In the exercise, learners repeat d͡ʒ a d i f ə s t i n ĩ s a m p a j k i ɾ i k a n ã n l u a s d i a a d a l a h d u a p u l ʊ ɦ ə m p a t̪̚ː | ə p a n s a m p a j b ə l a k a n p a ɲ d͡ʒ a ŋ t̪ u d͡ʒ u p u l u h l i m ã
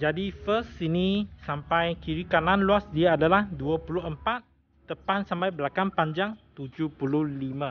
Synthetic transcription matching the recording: d͡ʒ a d i f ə s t i n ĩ s a m p a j k i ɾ i k a n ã n l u a s d i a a d a l a h d u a p u l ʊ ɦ ə m p a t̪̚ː | ə p a n s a m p a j b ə l a k a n p a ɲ d͡ʒ a ŋ t̪ u d͡ʒ u p u l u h l i m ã